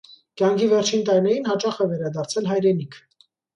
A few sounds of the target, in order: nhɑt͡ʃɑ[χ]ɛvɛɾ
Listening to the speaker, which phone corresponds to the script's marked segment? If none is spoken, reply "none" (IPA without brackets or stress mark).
χ